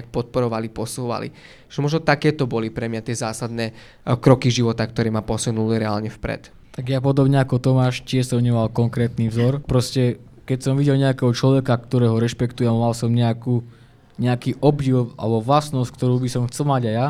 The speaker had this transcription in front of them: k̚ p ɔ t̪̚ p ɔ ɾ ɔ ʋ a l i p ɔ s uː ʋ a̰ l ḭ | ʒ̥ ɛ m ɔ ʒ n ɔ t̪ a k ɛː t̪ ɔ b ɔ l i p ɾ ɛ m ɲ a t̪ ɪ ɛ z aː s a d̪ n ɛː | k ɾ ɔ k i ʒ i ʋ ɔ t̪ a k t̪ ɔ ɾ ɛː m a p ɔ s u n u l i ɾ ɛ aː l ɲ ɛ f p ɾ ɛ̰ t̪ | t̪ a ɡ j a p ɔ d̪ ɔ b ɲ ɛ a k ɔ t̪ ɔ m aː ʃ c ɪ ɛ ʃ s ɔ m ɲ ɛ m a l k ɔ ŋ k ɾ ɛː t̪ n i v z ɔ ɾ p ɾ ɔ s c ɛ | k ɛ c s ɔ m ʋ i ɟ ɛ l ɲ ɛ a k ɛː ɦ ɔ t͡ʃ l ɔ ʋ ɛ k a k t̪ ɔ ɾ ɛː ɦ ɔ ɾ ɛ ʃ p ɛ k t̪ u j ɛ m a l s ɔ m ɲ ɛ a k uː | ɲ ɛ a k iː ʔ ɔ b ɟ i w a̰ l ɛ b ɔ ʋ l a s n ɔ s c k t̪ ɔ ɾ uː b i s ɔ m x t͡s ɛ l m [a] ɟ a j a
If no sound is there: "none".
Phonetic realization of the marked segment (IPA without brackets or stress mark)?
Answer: a